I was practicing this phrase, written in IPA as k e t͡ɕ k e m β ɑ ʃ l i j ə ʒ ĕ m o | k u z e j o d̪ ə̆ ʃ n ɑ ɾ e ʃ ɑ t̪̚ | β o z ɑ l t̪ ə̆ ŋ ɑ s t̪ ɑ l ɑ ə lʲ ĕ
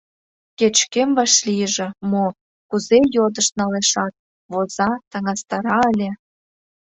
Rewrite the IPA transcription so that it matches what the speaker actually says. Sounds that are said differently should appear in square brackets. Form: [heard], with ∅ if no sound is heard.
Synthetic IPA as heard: k e t͡ɕ k e m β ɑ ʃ l i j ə ʒ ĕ m o | k u z e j o d̪ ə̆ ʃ n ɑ [l] e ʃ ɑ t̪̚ | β o z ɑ [∅] t̪ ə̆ ŋ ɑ s t̪ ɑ [ɾ] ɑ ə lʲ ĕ